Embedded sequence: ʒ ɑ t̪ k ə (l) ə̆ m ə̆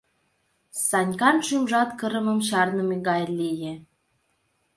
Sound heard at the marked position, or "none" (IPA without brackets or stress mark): ɾ